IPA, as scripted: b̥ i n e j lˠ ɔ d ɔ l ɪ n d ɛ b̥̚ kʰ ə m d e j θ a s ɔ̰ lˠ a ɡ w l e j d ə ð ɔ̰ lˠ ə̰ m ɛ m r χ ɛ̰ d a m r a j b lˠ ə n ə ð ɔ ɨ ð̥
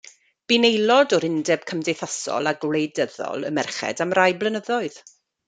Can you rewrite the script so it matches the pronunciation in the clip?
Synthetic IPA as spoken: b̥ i n e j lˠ ɔ d ɔ ɾ ɪ n d ɛ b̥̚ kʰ ə m d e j θ a s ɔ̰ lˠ a ɡ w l e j d ə ð ɔ̰ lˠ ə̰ m ɛ r χ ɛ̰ d a m r a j b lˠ ə n ə ð ɔ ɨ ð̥